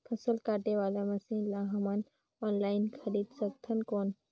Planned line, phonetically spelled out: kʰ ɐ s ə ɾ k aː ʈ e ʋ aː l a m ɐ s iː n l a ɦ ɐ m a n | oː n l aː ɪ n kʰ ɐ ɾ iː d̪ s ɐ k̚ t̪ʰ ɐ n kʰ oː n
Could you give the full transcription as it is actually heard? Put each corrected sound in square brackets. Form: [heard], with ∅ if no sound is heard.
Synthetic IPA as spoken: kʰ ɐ s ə [l] k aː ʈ e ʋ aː l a m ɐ s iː n l a ɦ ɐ m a n | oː n l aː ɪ n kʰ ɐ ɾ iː d̪ s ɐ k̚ t̪ʰ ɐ n [k] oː n